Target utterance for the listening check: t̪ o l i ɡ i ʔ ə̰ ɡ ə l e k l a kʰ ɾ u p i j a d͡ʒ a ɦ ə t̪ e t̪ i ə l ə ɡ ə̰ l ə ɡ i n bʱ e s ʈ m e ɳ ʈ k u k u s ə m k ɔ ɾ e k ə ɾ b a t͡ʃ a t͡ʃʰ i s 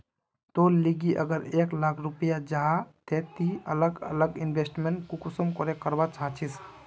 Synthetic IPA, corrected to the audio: t̪ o l i ɡ i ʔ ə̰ ɡ ə ɾ e k l a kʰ ɾ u p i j a d͡ʒ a ɦ a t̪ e t̪ i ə l ə ɡ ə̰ l ə ɡ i n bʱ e s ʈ m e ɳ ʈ k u k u s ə m k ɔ ɾ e k ə ɾ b a t͡ʃ a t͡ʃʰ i s